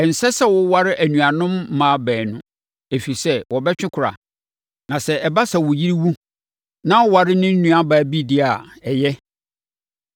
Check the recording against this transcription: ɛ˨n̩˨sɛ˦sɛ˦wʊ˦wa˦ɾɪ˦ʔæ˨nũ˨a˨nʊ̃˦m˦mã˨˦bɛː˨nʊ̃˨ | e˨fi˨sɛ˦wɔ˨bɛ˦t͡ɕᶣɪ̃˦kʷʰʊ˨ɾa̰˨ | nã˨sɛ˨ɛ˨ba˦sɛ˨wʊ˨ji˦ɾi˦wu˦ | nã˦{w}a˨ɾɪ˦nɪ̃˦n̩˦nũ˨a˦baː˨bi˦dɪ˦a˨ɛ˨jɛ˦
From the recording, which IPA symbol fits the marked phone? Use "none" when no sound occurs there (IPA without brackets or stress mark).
w